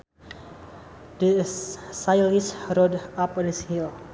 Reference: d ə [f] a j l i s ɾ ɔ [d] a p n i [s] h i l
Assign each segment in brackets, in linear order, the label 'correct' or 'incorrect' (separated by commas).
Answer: incorrect, correct, correct